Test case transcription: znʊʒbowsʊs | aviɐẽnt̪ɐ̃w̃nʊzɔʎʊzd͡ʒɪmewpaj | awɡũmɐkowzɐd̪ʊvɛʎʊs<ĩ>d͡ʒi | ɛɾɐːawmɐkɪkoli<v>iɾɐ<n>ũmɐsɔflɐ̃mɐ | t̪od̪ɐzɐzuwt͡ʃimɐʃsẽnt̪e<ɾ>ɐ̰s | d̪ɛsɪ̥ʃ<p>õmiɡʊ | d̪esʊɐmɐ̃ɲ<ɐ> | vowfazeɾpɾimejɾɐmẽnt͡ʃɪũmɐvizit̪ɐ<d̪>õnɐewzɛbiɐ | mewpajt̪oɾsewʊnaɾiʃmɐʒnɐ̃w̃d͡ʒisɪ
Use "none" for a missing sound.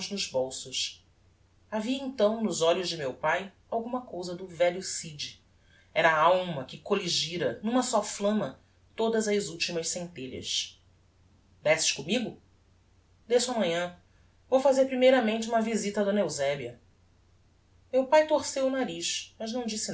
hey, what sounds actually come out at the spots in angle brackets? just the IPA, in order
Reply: i, ʒ, n, ʎ, k, ɐ̃, d̪

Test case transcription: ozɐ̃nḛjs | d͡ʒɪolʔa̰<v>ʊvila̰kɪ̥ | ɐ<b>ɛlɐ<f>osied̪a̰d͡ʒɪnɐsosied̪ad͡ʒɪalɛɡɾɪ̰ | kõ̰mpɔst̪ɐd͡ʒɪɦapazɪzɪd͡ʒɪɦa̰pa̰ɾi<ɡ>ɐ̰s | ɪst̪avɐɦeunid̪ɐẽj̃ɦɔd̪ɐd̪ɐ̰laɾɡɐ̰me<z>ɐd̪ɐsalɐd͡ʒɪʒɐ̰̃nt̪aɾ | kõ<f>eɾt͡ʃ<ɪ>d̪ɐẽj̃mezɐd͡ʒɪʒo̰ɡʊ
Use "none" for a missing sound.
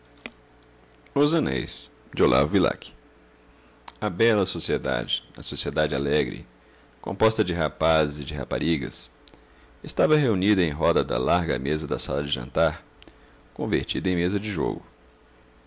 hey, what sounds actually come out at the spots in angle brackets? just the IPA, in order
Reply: v, b, s, ɡ, z, v, i

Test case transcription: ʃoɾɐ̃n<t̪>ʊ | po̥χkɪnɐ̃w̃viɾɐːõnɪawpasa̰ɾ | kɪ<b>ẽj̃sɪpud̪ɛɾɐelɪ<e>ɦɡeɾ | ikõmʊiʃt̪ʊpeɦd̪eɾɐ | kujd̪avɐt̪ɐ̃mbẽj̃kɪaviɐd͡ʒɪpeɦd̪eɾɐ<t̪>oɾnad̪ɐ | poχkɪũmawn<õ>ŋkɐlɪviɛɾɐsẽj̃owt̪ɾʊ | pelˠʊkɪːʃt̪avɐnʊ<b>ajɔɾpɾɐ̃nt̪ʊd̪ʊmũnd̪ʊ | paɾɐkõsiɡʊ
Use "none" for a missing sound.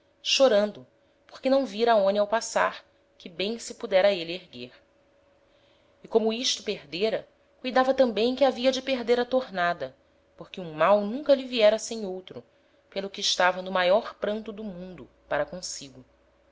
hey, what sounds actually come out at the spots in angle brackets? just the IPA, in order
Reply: d̪, b, e, t̪, ũ, m

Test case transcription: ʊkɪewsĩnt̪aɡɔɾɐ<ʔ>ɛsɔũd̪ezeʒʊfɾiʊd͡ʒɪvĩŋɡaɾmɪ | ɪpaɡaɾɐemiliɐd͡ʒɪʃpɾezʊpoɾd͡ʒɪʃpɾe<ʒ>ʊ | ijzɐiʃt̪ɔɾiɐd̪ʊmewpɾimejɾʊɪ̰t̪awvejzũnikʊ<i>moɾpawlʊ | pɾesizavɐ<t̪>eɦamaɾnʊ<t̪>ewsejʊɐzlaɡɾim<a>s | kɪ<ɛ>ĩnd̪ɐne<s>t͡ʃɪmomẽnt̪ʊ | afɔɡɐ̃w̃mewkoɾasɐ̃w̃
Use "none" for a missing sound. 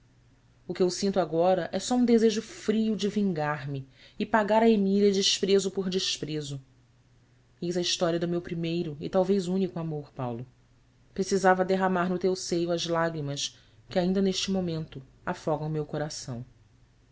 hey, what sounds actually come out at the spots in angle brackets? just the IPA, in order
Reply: ʔ, z, a, d̪, t̪, ɐ, a, ʃ

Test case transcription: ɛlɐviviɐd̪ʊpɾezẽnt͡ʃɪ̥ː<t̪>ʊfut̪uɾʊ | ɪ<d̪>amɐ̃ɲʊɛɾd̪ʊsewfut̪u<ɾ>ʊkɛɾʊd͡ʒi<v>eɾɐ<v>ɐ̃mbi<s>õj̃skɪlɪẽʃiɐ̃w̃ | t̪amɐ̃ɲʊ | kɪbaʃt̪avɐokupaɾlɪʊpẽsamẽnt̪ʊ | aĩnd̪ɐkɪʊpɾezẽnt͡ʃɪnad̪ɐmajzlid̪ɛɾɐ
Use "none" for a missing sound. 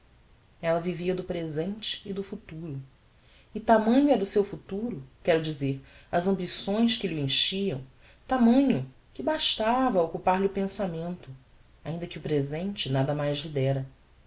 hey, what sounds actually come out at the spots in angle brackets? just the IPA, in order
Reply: d̪, t̪, ɾ, z, z, s

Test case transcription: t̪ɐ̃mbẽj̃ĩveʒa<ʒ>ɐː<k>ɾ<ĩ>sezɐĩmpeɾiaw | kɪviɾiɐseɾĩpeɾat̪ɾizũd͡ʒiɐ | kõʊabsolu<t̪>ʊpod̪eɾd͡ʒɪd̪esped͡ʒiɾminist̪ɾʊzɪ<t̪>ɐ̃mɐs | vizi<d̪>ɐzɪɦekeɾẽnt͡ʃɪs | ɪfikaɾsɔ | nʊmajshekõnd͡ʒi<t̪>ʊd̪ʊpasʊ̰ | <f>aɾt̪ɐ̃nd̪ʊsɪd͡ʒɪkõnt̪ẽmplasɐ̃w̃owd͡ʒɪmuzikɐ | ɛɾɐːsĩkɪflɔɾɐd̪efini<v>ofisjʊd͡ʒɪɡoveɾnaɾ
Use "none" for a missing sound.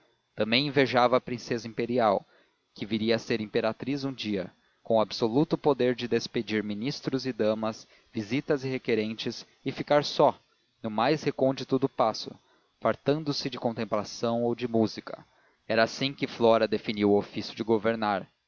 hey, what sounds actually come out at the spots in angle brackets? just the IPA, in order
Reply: v, p, ĩ, t̪, d̪, t̪, t̪, f, w

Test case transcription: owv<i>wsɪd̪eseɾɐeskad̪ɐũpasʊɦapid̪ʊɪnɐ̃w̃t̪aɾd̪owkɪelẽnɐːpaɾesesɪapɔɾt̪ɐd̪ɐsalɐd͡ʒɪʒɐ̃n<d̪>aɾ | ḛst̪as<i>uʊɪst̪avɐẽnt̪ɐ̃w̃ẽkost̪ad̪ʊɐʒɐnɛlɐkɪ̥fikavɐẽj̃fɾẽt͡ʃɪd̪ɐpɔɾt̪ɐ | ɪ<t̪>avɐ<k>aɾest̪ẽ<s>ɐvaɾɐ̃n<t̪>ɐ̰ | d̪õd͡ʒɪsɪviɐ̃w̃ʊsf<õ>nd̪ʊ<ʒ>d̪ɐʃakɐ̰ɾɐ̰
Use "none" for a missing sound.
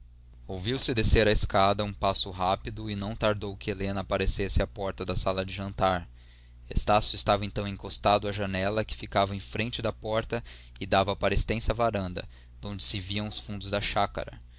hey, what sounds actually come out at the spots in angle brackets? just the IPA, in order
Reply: i, t̪, j, d̪, p, s, d̪, ũ, z

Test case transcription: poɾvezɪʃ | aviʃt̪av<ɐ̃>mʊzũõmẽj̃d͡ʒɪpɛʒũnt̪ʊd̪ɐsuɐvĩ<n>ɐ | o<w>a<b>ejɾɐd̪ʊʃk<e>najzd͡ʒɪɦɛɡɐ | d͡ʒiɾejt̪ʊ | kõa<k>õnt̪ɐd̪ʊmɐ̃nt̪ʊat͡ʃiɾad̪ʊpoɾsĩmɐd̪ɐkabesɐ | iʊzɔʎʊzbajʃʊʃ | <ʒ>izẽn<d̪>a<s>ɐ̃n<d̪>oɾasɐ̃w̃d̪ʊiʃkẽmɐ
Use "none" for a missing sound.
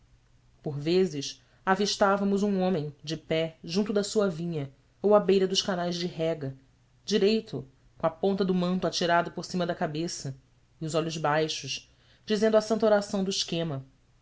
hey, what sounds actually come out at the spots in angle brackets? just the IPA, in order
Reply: ɐ, ɲ, w, b, a, p, d͡ʒ, d̪, s, t̪

